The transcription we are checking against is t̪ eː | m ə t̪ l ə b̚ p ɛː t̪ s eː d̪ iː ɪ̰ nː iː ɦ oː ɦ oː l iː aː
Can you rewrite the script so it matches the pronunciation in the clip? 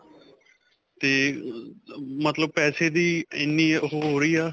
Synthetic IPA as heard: t̪ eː | m ə t̪ l ə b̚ p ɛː s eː d̪ iː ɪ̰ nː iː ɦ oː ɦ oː ɾ iː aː